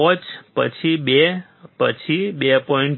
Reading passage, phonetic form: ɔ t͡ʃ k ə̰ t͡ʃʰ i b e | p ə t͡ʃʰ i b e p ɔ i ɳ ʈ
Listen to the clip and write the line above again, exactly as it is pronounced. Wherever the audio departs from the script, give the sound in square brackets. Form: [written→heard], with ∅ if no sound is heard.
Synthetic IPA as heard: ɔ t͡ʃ [k→p] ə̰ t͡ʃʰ i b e | p ə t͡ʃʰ i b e p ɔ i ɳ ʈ

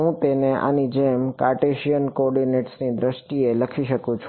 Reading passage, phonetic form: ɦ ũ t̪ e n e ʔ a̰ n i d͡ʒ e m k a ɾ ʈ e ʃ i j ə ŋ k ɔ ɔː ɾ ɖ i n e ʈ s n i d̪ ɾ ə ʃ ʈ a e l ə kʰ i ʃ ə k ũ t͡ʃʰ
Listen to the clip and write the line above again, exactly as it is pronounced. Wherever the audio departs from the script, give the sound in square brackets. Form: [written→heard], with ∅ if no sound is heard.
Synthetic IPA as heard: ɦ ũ t̪ e n e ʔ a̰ n i d͡ʒ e m k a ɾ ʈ e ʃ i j ə [ŋ→n] k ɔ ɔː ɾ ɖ i n e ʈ s n i d̪ ɾ ə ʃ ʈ [a→i] e l ə kʰ i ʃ ə k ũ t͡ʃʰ

